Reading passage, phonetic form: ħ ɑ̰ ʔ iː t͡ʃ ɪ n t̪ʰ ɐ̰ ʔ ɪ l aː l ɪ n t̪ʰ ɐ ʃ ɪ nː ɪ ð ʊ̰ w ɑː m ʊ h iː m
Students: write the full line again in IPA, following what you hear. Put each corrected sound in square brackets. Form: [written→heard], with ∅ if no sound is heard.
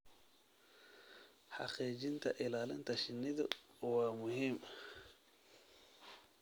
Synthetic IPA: ħ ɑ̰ [ʔ→q] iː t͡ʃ ɪ n t̪ʰ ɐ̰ ʔ ɪ l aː l ɪ n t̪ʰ ɐ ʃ ɪ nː ɪ ð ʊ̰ w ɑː m ʊ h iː m